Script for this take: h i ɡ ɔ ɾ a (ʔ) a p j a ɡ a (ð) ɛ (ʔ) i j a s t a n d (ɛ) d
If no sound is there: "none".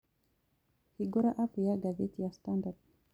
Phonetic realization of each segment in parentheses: ʔ, z, t, a

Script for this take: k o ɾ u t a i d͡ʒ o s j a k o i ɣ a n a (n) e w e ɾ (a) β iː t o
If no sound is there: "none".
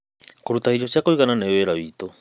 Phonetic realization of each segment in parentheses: n, a

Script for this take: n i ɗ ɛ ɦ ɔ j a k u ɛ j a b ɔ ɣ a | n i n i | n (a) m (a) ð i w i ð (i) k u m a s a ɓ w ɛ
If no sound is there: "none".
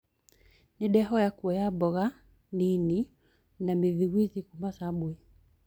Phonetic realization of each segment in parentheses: a, i, i

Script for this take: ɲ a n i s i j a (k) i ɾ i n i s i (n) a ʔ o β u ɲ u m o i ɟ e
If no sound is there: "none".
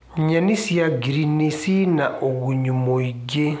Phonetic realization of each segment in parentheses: ɡ, n

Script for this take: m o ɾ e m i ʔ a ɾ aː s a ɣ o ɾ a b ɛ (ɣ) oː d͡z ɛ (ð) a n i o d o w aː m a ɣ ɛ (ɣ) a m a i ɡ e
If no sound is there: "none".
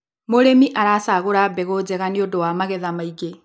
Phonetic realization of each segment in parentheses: ɣ, ɣ, ð

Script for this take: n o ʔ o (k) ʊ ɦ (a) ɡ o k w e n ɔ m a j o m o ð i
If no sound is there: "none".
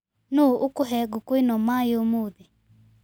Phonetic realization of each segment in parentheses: k, ɛ

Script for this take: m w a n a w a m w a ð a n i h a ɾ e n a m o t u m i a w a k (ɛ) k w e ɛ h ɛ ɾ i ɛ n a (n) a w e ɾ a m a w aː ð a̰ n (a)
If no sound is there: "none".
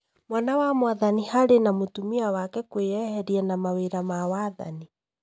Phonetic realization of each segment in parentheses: ɛ, m, i

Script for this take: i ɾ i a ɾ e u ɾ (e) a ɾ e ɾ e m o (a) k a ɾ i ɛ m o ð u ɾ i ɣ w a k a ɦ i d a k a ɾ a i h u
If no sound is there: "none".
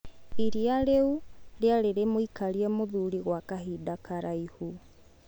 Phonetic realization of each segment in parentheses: e, i

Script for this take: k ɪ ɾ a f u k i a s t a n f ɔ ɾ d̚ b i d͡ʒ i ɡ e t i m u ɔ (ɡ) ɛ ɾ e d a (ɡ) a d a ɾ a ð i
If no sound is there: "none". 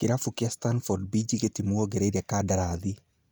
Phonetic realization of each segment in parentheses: ɡ, k

